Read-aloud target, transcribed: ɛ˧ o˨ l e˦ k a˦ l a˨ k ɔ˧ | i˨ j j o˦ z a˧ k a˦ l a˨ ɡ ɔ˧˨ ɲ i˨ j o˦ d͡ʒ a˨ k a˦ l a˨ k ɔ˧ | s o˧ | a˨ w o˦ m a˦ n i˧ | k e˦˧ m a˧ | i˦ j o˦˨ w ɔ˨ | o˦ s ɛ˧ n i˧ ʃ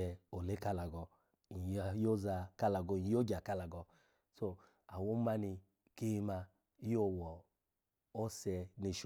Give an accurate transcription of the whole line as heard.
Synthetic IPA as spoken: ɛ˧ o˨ l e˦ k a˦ l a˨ ɡ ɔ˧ | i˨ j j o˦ z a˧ k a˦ l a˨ ɡ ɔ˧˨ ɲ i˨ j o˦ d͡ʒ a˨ k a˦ l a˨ ɡ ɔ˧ | s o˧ | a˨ w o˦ m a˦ n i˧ | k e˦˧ m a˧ | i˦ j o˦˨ w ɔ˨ | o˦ s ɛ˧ n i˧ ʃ

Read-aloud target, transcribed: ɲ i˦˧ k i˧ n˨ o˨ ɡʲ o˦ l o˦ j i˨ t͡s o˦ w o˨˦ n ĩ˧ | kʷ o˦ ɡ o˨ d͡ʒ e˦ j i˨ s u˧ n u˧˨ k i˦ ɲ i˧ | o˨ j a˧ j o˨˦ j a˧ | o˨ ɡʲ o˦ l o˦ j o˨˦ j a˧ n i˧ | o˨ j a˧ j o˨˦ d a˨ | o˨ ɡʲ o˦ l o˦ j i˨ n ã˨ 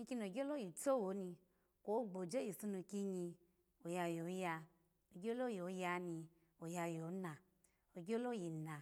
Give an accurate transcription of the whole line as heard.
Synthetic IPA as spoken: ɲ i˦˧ k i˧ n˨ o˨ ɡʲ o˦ l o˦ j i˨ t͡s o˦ w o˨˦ n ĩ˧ | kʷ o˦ ɡ͡b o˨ d͡ʒ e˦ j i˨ s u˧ n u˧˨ k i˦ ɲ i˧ | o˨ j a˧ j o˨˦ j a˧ | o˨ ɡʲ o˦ l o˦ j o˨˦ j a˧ n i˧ | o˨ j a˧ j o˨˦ n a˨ | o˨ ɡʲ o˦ l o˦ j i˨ n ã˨

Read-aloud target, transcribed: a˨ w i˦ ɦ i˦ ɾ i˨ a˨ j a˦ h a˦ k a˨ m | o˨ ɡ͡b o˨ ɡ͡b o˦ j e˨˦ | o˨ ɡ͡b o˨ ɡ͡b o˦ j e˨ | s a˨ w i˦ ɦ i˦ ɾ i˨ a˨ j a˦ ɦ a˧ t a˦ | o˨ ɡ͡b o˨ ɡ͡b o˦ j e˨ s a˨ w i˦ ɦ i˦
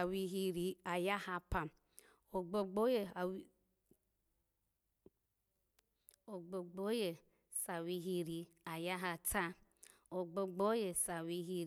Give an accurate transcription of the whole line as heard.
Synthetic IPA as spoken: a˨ w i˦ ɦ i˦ ɾ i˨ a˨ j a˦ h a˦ p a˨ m | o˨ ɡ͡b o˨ ɡ͡b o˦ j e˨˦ | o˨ ɡ͡b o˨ ɡ͡b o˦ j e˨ | s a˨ w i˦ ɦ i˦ ɾ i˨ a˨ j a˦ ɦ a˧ t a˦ | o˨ ɡ͡b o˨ ɡ͡b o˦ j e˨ s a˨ w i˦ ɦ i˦

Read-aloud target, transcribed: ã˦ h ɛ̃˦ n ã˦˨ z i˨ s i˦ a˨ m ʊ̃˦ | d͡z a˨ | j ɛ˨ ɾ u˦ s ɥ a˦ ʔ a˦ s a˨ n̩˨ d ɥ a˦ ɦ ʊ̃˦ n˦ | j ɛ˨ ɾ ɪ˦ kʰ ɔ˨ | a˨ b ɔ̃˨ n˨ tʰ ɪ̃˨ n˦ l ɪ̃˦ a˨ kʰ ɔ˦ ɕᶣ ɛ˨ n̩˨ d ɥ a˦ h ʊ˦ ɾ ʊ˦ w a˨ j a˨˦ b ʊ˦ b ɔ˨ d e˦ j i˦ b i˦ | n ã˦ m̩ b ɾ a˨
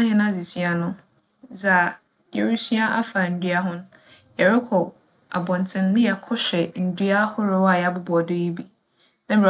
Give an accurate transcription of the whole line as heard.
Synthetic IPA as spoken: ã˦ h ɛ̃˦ n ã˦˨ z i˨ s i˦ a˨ n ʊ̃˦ | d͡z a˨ | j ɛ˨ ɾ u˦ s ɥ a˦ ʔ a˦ f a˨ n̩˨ d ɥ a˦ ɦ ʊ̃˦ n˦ | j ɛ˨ ɾ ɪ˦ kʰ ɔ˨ | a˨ b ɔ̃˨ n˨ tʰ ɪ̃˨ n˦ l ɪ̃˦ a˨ kʰ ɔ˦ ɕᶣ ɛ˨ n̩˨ d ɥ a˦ h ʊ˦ ɾ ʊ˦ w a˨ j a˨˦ b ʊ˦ b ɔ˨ d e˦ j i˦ b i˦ | n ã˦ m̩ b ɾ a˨

